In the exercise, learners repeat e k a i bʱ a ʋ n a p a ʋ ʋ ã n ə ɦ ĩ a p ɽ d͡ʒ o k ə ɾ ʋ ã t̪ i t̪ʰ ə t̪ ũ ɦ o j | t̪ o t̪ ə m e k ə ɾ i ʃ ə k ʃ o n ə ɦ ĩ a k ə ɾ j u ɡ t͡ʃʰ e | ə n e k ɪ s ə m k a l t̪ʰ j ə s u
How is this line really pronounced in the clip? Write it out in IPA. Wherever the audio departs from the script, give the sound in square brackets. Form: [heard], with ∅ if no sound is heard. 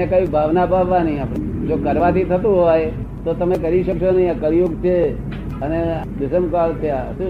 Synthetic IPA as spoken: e k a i bʱ a ʋ n a p a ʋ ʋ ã n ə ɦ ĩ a p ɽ d͡ʒ o k ə ɾ ʋ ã t̪ i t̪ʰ ə t̪ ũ ɦ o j | t̪ o t̪ ə m e k ə ɾ i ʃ ə k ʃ o n ə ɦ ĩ a k ə ɾ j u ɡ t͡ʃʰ e | ə n e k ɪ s ə m k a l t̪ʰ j [a] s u